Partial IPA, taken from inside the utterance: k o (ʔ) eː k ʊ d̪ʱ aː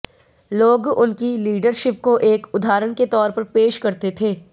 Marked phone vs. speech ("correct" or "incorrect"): correct